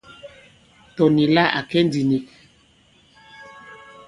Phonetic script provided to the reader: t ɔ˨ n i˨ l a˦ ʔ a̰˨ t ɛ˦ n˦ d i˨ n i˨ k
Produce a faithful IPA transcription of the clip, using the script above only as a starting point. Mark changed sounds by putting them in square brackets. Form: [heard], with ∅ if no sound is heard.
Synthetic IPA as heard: t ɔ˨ n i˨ l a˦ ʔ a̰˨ [k] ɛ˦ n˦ d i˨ n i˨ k